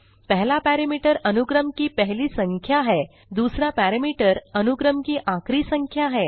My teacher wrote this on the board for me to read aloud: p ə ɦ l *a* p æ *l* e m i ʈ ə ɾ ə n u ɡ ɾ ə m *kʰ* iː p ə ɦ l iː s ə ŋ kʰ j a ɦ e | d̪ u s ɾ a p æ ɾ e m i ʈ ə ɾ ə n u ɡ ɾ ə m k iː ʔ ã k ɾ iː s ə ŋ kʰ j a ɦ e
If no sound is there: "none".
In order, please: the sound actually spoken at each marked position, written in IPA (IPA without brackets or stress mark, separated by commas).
a, ɾ, k